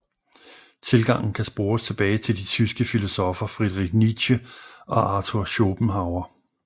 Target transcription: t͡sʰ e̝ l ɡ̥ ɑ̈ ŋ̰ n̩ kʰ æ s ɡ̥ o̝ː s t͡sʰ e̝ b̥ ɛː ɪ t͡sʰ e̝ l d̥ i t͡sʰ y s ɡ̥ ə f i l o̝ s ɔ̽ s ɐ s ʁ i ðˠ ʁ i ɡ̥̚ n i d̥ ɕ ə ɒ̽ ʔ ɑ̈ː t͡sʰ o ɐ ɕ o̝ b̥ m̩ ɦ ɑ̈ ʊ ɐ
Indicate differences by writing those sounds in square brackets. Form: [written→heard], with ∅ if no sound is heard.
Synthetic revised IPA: t͡sʰ e̝ l ɡ̥ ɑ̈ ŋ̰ n̩ kʰ æ s [ɡ̥→b̥] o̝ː s t͡sʰ e̝ b̥ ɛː ɪ t͡sʰ e̝ l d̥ i t͡sʰ y s ɡ̥ ə f i l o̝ s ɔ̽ [s→f] ɐ [s→f] ʁ i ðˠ ʁ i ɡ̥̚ n i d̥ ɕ ə ɒ̽ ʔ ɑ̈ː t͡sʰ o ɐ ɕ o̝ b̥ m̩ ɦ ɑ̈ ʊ ɐ